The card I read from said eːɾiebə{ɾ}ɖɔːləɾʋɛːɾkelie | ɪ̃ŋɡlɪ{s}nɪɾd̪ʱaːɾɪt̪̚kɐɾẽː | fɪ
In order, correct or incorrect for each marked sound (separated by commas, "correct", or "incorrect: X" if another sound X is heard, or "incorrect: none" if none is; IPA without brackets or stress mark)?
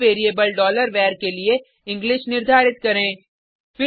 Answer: incorrect: l, incorrect: ʃ